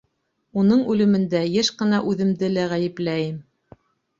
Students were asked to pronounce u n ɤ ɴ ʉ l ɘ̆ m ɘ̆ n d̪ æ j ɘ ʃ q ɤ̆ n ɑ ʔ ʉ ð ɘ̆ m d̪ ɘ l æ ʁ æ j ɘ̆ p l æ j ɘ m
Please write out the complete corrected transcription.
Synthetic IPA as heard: u n ɤ ɴ ʉ l ɘ̆ m ɘ̆ n d̪ æ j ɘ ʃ q ɤ̆ n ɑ ʔ ʉ ð ɘ̆ m d̪ ɘ l æ ʁ æ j ɘ̆ p l æ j ɘ m